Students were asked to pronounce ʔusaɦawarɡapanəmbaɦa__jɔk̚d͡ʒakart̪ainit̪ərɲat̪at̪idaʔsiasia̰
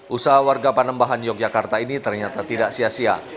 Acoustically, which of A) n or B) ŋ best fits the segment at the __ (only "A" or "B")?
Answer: A